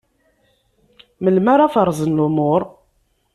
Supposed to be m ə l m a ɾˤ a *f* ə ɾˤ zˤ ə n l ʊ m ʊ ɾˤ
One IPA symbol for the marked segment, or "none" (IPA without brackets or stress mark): f